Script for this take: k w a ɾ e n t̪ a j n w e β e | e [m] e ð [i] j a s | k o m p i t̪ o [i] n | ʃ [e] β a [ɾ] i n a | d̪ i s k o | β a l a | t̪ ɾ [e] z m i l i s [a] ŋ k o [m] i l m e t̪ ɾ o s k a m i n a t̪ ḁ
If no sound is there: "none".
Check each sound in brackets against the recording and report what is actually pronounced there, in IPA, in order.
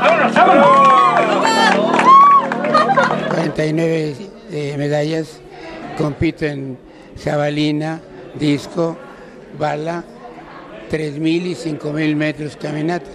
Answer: m, a, e, a, l, e, i, m

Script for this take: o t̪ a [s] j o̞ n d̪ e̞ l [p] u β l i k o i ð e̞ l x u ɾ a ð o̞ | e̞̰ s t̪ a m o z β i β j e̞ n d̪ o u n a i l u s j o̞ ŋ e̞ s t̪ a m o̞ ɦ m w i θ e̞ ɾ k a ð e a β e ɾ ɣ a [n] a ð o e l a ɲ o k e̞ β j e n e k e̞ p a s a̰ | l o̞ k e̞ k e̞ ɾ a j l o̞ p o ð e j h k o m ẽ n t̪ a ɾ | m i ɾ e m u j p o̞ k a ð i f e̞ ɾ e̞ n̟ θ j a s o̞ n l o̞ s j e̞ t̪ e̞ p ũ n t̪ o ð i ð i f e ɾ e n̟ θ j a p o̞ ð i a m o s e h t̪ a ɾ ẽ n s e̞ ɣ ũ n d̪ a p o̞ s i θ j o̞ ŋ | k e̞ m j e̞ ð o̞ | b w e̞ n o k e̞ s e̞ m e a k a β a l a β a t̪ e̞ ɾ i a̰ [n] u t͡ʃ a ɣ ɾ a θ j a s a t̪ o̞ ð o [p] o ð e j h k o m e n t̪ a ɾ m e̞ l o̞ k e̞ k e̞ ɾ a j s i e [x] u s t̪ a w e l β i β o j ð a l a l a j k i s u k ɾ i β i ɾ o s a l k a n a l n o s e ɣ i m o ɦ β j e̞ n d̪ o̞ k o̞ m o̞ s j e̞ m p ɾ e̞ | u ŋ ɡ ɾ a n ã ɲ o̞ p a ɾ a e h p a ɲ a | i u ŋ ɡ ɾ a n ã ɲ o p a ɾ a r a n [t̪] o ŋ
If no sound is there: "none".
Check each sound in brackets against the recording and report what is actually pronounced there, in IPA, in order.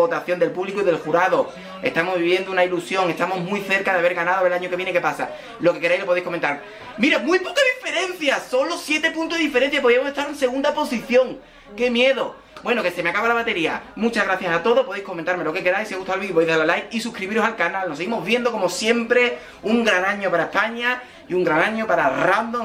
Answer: θ, p, n, m, p, ɣ, d̪

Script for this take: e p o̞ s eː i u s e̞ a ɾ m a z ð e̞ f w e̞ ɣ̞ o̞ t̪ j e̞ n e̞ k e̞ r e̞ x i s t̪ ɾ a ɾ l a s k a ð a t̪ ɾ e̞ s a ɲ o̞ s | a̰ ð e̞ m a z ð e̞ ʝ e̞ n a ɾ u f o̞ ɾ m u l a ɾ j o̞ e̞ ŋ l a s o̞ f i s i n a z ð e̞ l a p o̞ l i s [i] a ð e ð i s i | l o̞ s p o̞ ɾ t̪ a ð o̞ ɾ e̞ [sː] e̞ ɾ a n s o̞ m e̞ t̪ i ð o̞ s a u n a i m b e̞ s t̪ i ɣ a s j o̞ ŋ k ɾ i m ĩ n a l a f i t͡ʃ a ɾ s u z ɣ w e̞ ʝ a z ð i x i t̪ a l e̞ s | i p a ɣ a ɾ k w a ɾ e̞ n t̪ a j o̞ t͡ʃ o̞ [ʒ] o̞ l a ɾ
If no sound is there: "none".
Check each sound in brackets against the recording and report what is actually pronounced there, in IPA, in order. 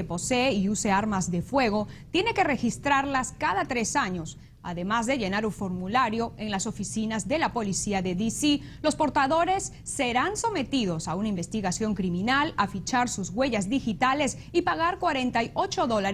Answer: i, sː, ð

